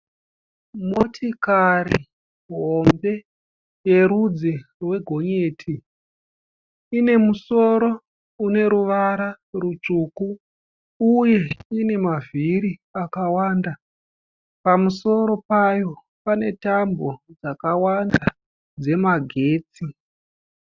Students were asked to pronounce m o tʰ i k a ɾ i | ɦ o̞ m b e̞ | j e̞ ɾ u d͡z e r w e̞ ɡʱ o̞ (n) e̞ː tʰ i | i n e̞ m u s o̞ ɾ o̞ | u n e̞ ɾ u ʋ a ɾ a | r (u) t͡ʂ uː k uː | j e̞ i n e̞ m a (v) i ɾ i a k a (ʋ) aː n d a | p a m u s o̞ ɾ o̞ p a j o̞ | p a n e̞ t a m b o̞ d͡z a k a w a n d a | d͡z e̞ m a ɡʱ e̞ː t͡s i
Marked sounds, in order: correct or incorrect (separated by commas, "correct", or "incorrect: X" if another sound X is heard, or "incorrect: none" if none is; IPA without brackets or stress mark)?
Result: incorrect: ɲ, correct, correct, incorrect: w